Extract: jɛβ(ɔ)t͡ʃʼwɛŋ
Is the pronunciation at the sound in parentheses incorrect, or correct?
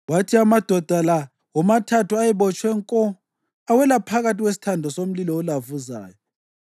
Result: correct